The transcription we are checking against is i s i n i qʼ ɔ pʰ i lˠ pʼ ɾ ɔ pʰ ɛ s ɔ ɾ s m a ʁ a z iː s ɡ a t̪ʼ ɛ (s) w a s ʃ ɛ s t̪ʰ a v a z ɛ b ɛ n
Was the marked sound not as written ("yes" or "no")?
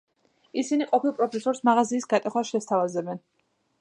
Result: yes